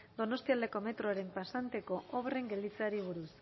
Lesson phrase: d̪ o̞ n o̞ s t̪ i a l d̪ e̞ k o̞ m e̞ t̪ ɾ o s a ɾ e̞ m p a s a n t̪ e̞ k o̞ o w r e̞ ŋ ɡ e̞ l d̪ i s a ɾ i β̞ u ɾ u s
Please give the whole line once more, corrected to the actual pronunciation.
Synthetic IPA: d̪ o̞ n o̞ s t̪ i a l d̪ e̞ k o̞ m e̞ t̪ ɾ o a ɾ e̞ m p a s a n t̪ e̞ k o̞ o β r e̞ ŋ ɡ e̞ l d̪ i t͡s a ɾ i β̞ u ɾ u s